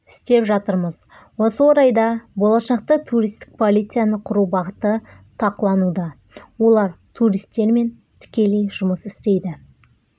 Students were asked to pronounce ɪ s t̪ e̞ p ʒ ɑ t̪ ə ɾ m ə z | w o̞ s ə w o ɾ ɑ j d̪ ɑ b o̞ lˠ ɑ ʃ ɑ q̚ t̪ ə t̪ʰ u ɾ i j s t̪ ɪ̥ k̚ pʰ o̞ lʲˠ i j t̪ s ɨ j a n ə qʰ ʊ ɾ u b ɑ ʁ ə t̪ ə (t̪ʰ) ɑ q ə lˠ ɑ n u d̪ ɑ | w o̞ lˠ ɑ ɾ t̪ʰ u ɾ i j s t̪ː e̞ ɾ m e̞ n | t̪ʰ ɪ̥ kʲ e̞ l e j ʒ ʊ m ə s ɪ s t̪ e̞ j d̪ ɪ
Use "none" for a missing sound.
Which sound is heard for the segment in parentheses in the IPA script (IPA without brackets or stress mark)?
t̪ʰ